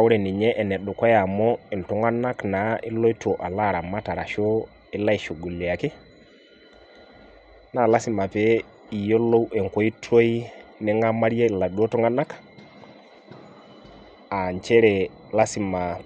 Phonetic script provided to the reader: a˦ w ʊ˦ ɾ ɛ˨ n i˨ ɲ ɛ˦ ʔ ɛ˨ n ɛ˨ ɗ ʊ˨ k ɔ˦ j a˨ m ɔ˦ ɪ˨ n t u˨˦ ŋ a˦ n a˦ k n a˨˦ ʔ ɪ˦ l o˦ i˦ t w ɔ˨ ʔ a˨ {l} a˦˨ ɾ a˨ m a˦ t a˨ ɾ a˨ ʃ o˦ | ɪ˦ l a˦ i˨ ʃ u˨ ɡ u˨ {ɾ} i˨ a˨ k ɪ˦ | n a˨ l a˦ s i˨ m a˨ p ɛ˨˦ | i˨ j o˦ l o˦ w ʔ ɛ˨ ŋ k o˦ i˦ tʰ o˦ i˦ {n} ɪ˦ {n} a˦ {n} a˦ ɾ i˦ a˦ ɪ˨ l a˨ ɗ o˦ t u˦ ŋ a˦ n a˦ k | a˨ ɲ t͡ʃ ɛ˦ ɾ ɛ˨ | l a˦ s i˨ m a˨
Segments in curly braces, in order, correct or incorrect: correct, incorrect: l, correct, incorrect: ŋ, incorrect: m

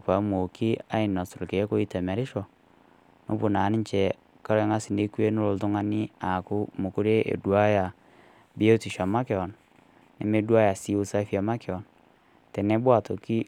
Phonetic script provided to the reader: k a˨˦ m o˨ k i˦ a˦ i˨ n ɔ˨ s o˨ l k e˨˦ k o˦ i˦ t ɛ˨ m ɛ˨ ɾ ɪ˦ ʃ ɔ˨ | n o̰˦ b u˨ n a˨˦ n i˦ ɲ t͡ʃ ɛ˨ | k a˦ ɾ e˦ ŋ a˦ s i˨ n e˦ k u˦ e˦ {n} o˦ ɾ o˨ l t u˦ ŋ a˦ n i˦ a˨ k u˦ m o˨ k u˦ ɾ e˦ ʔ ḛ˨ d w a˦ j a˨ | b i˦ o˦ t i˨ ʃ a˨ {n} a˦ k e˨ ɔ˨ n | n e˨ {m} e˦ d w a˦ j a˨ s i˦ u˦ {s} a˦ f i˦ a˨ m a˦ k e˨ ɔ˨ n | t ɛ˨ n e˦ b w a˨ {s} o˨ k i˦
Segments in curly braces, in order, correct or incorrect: correct, incorrect: m, correct, correct, incorrect: t

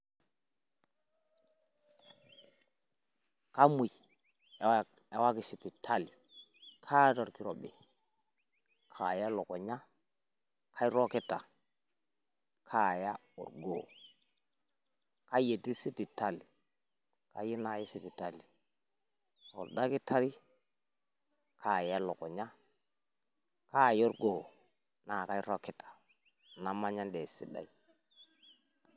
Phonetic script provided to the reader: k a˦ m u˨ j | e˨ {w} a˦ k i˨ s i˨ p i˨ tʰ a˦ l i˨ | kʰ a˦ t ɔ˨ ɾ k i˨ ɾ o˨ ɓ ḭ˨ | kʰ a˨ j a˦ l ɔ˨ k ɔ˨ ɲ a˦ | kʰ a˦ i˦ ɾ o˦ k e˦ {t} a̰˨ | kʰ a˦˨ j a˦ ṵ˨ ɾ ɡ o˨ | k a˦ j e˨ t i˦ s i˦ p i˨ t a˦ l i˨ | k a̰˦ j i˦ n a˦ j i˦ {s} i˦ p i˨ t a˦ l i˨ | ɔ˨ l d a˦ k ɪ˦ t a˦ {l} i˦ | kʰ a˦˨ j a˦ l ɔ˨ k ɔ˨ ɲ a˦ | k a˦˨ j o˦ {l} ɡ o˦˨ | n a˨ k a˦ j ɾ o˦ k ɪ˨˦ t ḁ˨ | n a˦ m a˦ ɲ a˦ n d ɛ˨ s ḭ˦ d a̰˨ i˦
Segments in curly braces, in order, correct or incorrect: correct, correct, correct, incorrect: ɾ, incorrect: ɾ

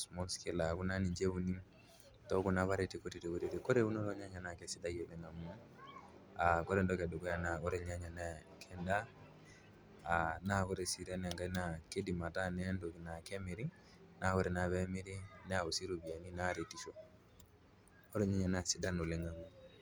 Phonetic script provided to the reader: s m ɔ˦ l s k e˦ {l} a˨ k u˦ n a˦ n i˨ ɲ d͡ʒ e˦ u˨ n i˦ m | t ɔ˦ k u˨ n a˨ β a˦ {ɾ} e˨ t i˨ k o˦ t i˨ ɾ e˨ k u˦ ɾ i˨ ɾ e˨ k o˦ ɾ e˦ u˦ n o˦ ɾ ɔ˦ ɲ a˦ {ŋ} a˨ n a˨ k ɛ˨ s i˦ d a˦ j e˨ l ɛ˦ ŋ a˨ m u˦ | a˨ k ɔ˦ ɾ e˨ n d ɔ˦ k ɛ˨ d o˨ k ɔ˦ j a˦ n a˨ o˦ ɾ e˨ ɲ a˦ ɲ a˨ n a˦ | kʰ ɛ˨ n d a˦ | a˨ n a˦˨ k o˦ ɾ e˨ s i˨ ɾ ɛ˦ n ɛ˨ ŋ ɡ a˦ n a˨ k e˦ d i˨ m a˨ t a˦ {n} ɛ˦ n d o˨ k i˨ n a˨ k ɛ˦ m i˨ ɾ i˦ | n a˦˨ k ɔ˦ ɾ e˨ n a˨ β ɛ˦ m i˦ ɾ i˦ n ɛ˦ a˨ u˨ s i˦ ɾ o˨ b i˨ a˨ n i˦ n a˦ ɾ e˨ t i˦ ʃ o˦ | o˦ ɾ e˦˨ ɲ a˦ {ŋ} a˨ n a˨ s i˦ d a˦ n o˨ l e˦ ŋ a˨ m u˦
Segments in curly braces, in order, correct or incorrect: correct, correct, incorrect: ɲ, correct, incorrect: ɲ

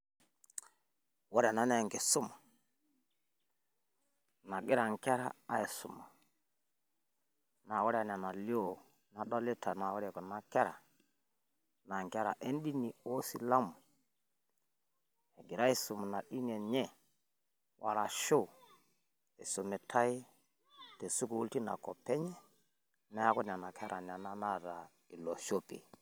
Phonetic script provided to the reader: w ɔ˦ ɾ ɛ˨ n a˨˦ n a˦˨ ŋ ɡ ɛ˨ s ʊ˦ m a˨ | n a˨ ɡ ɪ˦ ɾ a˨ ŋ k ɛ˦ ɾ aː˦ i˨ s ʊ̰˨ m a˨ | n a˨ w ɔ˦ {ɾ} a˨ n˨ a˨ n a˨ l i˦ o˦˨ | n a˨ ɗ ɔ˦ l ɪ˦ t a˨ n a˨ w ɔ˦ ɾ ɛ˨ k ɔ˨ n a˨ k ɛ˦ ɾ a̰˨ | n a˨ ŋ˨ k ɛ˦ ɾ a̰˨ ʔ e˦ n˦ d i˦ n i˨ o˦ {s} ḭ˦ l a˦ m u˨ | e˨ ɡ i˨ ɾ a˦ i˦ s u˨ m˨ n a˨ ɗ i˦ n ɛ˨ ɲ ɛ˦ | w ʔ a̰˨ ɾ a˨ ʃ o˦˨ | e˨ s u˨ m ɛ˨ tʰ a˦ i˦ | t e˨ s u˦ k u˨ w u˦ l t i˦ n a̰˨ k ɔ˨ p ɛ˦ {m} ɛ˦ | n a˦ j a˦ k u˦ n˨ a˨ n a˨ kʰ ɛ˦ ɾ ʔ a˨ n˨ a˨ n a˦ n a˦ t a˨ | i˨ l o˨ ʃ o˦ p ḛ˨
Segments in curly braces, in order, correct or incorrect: correct, correct, incorrect: ɲ

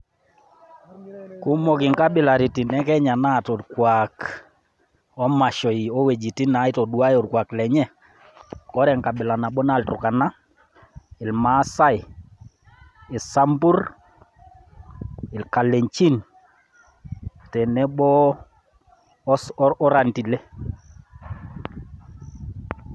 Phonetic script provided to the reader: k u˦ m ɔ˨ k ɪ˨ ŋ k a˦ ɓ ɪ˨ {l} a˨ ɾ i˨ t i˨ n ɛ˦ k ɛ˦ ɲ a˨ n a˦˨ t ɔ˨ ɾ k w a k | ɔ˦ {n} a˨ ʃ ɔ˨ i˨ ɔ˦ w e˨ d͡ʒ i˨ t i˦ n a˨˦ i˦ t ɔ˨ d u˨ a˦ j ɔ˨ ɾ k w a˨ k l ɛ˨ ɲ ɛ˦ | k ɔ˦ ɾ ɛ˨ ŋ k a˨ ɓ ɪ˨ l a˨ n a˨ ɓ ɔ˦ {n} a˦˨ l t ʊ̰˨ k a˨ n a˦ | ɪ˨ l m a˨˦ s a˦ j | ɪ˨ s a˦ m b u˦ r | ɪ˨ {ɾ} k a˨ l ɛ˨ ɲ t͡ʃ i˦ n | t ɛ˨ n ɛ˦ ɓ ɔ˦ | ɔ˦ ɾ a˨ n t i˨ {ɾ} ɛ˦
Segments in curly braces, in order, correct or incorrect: correct, incorrect: m, correct, incorrect: l, incorrect: l

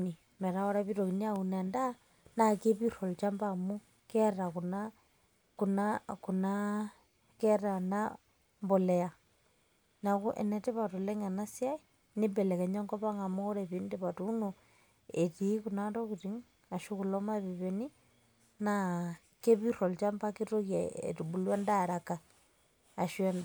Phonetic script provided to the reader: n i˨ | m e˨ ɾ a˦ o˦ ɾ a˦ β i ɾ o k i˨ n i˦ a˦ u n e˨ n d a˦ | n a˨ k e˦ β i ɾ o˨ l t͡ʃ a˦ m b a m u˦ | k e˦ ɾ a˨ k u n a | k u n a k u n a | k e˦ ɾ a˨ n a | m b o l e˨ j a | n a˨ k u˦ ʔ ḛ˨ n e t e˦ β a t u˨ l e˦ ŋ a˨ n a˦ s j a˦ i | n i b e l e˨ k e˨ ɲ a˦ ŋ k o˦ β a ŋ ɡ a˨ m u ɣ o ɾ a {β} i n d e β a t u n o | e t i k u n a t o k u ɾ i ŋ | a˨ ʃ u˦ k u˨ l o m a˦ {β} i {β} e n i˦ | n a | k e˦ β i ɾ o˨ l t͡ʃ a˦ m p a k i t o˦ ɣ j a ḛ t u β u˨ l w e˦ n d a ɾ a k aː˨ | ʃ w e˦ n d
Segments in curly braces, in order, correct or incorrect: correct, correct, correct

